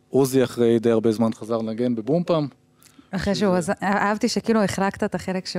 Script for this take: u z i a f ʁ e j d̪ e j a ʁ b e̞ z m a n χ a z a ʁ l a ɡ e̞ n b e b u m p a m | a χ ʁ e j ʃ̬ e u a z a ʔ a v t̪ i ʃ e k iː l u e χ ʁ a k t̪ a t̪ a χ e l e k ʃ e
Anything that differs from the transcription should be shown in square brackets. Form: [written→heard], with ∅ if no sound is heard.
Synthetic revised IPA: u z i a [f→χ] ʁ e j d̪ e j a ʁ b e̞ z m a n χ a z a ʁ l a ɡ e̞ n b e b u m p a m | a χ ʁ e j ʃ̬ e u a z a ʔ a v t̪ i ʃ e k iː l u e χ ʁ a k t̪ a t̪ a χ e l e k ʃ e